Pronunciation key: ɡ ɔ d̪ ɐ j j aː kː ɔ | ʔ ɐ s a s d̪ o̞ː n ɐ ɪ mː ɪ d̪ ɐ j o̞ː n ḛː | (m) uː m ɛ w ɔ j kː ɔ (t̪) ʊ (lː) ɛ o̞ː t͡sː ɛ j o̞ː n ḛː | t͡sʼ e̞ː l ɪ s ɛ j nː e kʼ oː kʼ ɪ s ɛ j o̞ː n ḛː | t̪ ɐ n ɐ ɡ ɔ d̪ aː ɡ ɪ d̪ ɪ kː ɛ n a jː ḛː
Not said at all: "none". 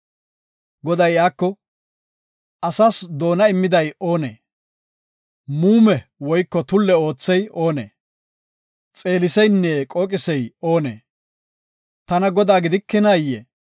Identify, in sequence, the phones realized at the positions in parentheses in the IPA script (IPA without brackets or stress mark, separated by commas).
m, t̪, lː